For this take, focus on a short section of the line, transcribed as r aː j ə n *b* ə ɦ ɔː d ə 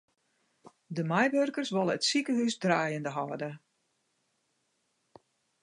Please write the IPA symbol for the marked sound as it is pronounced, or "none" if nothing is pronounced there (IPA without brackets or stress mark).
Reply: d